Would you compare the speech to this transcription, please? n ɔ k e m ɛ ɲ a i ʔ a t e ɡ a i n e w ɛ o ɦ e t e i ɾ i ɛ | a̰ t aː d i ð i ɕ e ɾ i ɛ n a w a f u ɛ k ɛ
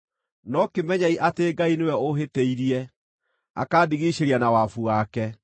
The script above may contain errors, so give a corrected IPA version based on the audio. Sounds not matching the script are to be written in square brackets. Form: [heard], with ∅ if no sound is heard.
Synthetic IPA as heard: n ɔ k e m ɛ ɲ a i ʔ a t e ɡ a i n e w ɛ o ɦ e t e i ɾ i ɛ | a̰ [k] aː d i [ɣ] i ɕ e ɾ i [a] n a w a f u [a] k ɛ

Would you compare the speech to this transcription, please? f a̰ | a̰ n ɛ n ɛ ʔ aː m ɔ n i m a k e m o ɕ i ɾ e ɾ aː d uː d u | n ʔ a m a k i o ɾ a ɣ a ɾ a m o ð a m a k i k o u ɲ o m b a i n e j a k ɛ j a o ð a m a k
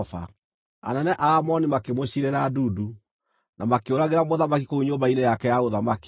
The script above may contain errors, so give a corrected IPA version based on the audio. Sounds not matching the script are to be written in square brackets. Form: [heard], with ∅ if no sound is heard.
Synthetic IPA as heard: f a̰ | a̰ n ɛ n ɛ ʔ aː m ɔ n i m a k e m o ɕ i ɾ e ɾ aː d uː d u | n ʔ a m a k [e] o ɾ a ɣ [e] ɾ a m o ð a m a k i k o u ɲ o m b a i n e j a k ɛ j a o ð a m a k

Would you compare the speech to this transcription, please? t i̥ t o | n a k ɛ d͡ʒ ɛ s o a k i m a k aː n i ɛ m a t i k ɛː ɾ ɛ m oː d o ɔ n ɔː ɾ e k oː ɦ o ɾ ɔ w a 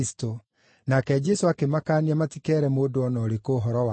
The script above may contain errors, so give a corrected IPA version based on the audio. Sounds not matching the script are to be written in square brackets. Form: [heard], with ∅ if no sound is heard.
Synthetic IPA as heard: [s] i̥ t o | n a k ɛ d͡ʒ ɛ s o a k [e] m a k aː n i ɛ m a t i k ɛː ɾ ɛ m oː d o ɔ n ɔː ɾ e k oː ɦ [ɔ] ɾ ɔ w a

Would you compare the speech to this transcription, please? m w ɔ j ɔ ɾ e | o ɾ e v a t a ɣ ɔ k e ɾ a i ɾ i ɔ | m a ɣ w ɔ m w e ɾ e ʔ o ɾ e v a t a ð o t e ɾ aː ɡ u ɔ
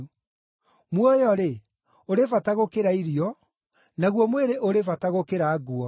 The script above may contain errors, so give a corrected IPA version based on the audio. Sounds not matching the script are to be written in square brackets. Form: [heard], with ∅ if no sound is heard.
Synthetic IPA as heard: m w ɔ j ɔ ɾ e | o ɾ e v a t a ɣ [o] k e ɾ a i ɾ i ɔ | [n] a ɣ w ɔ m w e ɾ e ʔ o ɾ e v a t a [ɣ] o [k] e ɾ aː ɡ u ɔ

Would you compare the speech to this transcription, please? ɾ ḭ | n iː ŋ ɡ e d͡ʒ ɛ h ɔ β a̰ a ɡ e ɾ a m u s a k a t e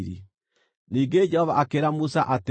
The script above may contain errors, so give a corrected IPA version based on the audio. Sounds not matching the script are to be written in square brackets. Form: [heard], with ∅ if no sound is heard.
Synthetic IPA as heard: ɾ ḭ | n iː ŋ ɡ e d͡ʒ ɛ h ɔ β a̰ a [k] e ɾ a m u s a [ʔ] a t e

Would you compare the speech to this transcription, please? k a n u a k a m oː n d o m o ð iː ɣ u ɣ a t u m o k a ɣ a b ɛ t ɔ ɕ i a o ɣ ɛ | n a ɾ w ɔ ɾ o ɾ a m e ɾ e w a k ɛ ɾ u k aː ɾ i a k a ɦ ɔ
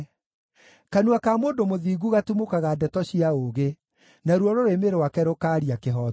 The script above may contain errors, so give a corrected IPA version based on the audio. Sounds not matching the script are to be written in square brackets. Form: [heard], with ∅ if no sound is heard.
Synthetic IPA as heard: k a n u a k a m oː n d o m o ð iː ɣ u ɣ a t u m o k a ɣ a [d] ɛ t ɔ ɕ i a o ɣ [e] | n a ɾ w ɔ ɾ o ɾ [e] m e ɾ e w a k ɛ ɾ [o] k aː ɾ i a k [e] ɦ ɔ

